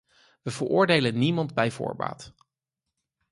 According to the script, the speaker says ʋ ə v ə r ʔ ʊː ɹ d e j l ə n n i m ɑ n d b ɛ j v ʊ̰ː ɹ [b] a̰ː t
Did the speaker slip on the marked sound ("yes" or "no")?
no